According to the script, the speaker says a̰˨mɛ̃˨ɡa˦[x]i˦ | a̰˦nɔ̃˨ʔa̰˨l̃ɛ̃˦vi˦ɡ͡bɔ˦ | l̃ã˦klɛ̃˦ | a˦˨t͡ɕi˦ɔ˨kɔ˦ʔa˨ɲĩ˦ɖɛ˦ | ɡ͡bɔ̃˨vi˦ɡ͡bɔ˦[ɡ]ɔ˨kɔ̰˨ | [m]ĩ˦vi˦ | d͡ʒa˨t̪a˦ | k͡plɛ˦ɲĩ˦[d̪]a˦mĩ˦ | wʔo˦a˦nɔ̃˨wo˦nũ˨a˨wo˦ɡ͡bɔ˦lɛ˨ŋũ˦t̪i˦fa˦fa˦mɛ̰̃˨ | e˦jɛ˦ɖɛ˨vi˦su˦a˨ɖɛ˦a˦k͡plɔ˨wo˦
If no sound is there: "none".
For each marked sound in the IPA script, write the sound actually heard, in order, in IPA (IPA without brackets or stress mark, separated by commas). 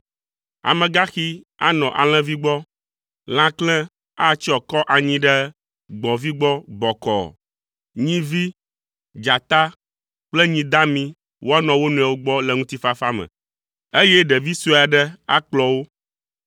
x, ɡ͡b, ɲ, d̪